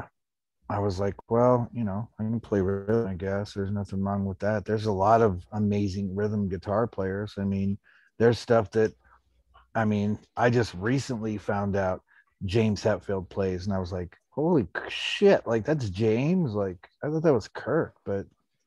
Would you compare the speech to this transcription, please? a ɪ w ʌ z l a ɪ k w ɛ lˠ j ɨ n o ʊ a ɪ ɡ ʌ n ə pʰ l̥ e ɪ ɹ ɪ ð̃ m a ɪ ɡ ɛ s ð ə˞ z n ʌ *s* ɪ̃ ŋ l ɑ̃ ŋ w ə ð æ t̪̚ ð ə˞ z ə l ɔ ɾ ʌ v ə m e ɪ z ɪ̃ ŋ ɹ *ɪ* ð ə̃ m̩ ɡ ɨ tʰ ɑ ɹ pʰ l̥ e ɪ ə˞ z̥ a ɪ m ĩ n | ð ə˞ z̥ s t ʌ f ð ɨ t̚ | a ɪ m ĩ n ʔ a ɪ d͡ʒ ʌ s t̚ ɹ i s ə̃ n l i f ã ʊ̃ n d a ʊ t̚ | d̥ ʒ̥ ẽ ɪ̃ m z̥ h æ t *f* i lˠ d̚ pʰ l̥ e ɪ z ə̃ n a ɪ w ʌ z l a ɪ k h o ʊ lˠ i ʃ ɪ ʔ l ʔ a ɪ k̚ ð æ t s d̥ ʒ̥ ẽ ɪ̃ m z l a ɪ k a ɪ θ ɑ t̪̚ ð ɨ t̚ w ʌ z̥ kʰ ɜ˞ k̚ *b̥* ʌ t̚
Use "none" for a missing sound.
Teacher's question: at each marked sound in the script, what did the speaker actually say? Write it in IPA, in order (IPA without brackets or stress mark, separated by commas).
θ, ɪ, f, b̥